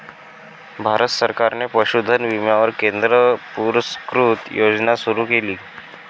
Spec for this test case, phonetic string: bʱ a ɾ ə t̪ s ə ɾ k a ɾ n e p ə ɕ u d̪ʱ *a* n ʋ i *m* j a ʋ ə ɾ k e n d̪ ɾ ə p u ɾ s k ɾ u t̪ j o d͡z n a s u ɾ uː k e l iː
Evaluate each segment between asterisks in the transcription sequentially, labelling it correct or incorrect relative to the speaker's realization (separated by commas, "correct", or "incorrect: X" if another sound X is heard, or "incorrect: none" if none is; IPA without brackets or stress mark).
incorrect: ə, correct